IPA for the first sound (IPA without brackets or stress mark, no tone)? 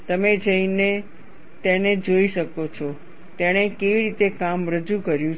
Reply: t̪